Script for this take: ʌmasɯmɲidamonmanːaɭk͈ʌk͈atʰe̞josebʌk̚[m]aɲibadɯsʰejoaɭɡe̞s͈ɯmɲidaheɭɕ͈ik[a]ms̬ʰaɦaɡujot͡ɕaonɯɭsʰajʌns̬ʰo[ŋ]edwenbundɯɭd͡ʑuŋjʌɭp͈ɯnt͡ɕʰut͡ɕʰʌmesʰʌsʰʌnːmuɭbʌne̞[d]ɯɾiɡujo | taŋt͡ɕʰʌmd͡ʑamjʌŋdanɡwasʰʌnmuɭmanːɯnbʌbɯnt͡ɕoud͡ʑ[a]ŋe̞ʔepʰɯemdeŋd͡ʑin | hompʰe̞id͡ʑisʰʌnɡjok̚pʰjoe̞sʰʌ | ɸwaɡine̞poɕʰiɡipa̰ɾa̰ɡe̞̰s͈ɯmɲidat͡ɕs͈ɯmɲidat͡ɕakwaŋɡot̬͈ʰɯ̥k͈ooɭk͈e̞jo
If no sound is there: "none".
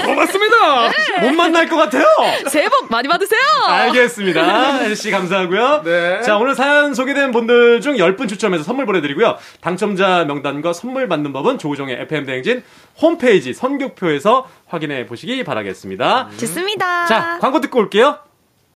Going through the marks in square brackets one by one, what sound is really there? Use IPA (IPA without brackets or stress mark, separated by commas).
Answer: m, a, ɡ, d, ʌ